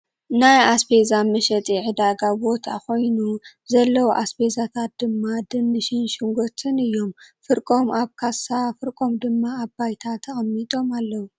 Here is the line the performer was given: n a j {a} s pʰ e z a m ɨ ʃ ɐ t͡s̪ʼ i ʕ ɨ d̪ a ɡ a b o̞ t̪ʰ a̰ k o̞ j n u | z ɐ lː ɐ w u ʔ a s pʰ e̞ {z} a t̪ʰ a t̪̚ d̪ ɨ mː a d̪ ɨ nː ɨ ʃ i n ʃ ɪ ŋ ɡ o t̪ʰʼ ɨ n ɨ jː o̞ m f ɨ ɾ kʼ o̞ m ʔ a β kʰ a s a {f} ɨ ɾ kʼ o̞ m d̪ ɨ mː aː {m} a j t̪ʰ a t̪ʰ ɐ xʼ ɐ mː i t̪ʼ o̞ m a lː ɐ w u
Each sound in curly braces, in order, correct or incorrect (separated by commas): correct, correct, correct, incorrect